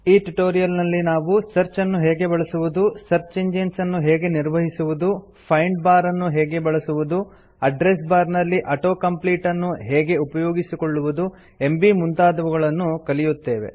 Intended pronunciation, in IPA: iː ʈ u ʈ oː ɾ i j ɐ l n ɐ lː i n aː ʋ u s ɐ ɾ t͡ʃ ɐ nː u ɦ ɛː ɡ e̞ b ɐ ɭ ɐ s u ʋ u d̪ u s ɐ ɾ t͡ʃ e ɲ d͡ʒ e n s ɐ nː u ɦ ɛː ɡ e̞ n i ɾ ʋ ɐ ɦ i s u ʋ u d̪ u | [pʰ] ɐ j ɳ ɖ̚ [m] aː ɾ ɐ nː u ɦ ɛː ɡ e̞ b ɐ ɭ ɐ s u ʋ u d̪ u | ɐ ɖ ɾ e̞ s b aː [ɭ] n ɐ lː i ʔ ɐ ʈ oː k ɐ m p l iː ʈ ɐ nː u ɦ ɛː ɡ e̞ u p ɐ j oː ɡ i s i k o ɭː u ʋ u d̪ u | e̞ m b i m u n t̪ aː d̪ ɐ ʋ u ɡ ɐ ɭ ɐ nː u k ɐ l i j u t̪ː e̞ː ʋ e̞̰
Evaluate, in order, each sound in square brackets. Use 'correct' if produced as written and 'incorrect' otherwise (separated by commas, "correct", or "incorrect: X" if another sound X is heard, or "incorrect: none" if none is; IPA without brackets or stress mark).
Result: correct, incorrect: b, incorrect: ɾ